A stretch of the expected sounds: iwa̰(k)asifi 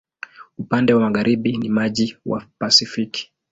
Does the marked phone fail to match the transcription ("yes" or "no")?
yes